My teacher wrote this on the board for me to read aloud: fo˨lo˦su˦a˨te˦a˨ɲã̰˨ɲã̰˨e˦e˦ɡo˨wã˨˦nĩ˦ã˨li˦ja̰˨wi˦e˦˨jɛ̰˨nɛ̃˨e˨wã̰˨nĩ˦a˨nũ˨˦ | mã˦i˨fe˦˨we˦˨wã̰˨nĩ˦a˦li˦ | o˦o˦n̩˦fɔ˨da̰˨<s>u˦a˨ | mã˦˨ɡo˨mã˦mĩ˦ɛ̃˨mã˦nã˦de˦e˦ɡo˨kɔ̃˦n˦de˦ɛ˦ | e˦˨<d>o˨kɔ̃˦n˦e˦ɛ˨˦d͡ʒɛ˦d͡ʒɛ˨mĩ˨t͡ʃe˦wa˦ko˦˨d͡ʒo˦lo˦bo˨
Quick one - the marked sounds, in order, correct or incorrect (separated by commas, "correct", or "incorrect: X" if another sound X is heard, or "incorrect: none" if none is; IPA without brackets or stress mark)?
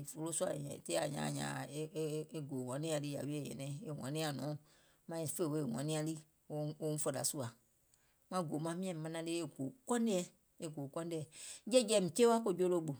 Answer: correct, incorrect: ɡ